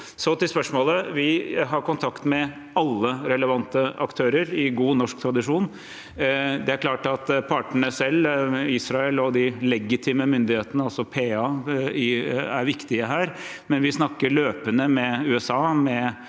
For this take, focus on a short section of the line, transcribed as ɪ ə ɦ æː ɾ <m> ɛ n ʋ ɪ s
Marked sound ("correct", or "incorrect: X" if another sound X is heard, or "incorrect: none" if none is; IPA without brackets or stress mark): correct